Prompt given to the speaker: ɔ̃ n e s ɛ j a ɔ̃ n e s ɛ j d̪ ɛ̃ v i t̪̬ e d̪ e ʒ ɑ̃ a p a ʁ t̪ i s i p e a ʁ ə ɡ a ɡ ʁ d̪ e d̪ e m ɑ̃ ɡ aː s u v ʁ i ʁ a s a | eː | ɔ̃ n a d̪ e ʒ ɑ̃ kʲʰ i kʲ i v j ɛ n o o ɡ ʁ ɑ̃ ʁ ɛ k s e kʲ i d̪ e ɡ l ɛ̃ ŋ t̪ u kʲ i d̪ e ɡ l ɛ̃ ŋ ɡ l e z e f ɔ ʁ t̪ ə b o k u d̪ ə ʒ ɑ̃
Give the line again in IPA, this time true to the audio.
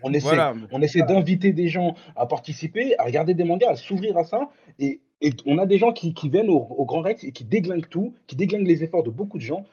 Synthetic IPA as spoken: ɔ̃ n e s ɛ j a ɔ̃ n e s ɛ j d̪ ɛ̃ v i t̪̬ e d̪ e ʒ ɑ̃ a p a ʁ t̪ i s i p e a ʁ ə ɡ a ʁ d̪ e d̪ e m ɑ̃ ɡ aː s u v ʁ i ʁ a s a | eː | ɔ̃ n a d̪ e ʒ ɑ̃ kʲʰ i kʲ i v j ɛ n o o ɡ ʁ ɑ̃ ʁ ɛ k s e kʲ i d̪ e ɡ l ɛ̃ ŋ t̪ u kʲ i d̪ e ɡ l ɛ̃ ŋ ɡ l e z e f ɔ ʁ d̪ ə b o k u d̪ ə ʒ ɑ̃